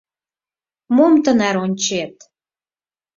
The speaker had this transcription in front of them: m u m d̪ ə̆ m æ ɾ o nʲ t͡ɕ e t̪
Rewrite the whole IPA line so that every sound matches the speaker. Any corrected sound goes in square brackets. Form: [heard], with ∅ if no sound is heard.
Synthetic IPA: m [o] m [t̪] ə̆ [n] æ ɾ o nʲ t͡ɕ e t̪